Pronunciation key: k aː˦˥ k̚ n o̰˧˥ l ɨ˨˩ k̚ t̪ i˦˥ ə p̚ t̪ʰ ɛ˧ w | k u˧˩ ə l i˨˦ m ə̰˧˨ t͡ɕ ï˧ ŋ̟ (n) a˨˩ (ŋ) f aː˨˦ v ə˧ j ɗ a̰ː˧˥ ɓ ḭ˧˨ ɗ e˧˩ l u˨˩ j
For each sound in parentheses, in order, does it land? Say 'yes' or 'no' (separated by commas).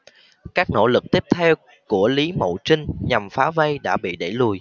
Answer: no, no